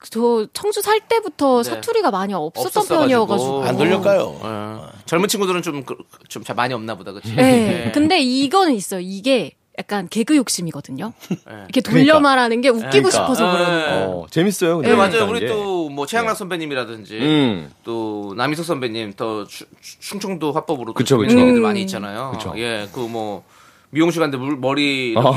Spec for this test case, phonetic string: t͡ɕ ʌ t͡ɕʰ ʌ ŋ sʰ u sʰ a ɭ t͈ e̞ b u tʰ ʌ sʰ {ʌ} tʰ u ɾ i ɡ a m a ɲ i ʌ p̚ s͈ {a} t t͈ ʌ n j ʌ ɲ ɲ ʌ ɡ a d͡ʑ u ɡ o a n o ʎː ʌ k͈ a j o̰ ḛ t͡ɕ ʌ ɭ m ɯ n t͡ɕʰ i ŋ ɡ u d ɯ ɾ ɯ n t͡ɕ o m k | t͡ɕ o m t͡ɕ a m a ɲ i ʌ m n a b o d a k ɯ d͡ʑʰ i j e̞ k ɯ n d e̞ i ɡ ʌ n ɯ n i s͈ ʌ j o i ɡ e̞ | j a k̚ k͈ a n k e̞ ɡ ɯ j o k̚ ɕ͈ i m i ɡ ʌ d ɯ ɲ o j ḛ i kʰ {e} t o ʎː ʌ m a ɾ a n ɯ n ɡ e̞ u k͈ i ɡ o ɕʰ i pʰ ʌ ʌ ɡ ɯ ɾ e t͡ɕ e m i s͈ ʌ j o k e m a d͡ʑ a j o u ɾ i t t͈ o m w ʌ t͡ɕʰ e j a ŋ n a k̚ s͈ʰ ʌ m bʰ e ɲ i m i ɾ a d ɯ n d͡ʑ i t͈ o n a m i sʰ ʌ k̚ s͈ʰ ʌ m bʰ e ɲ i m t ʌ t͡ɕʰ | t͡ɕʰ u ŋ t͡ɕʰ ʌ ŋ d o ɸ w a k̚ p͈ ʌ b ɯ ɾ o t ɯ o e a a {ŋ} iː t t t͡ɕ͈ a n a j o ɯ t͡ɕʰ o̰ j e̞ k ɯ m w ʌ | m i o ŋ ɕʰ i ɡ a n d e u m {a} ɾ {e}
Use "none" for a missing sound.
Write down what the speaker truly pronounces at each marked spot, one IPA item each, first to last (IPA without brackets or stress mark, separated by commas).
a, ʌ, e, ɲ, ʌ, i